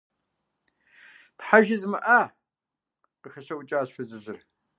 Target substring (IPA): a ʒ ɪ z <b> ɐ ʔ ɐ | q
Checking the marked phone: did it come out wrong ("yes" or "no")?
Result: yes